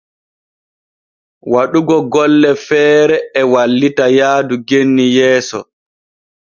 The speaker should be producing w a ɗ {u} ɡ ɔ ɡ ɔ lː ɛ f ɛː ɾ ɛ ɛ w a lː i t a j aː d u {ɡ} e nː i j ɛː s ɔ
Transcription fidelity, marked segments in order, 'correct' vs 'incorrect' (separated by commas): correct, correct